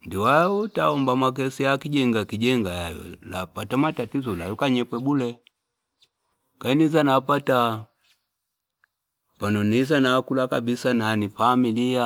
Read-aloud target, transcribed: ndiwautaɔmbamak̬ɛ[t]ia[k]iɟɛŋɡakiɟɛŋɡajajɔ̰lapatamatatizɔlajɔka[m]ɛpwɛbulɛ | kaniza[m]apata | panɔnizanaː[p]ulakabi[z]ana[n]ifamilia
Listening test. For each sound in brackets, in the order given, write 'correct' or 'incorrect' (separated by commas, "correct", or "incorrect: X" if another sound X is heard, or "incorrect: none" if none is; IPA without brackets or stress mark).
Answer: incorrect: s, correct, incorrect: ɲ, incorrect: n, incorrect: k, incorrect: s, correct